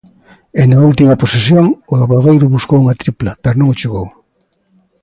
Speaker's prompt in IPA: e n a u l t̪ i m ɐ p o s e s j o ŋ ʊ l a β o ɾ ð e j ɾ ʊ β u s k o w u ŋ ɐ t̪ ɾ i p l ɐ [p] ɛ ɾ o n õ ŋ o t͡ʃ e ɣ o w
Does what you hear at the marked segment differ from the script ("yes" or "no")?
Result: no